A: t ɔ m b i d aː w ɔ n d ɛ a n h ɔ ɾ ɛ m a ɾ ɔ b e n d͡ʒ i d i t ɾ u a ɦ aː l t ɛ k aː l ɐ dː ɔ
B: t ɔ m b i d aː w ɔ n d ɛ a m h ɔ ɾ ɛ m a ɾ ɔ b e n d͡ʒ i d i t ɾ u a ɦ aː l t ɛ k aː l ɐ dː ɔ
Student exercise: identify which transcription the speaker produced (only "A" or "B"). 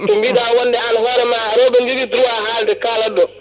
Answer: A